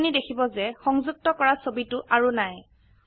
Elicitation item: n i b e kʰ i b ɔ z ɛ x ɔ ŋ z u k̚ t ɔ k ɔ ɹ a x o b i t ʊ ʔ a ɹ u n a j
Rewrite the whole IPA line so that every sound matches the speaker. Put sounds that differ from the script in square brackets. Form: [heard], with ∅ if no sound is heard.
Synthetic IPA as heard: n i [d] e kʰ i b ɔ z ɛ x ɔ ŋ z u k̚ t ɔ k ɔ ɹ a [s] o b i t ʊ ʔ a ɹ u n a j